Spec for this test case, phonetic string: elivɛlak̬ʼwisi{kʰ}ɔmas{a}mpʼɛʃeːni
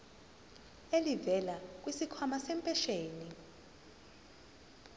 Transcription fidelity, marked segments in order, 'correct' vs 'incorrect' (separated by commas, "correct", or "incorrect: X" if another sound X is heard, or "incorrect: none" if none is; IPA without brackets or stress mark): correct, incorrect: ɛ